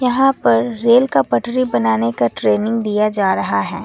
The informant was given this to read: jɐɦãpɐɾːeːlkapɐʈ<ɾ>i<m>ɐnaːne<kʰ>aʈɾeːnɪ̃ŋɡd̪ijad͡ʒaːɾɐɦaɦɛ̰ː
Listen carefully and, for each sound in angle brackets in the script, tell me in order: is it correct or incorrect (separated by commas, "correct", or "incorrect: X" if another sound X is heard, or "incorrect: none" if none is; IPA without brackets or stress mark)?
correct, incorrect: b, incorrect: k